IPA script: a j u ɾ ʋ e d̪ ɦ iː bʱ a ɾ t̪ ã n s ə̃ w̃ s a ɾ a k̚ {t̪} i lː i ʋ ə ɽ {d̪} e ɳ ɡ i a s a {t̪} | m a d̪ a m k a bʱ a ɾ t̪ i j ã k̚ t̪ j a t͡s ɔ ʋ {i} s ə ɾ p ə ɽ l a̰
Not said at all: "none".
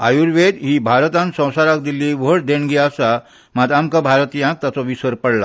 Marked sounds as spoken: d̪, d̪, none, i

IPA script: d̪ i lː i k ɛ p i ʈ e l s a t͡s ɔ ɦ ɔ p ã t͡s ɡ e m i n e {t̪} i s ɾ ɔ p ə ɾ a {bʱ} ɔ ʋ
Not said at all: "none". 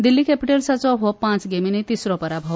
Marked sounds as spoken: t̪, bʱ

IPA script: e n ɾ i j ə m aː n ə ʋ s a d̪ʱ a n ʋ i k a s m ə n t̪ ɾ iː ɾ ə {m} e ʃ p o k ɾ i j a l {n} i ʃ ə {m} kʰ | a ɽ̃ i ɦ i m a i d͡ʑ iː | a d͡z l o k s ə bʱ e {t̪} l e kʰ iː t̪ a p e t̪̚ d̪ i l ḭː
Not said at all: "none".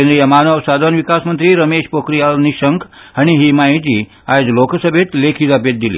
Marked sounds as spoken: m, n, ŋ, t̪

